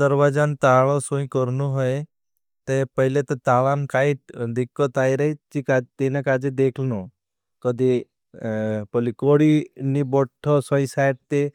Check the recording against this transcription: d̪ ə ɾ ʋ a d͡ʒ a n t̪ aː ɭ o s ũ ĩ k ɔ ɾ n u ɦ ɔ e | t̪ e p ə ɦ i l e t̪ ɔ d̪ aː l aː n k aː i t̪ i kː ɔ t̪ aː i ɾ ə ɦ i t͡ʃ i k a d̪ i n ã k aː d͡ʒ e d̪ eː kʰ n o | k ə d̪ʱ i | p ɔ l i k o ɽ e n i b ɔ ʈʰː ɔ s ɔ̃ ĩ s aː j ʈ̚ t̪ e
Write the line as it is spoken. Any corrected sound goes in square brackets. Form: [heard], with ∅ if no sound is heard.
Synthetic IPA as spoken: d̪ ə ɾ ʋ a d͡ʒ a n t̪ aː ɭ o s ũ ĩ k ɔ ɾ n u ɦ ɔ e | t̪ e p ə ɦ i l e t̪ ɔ [t̪] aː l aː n k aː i [d̪] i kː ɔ t̪ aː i ɾ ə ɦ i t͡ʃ i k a [t̪] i n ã k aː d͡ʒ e d̪ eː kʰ n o | k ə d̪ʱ i | p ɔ l i k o ɽ [i] n i b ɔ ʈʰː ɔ s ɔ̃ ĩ s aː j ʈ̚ t̪ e